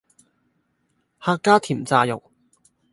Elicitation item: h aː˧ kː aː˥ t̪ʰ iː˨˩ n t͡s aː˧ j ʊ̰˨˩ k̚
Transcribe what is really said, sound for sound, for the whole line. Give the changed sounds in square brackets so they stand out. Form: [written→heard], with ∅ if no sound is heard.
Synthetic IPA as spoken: h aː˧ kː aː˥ t̪ʰ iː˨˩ [n→m] t͡s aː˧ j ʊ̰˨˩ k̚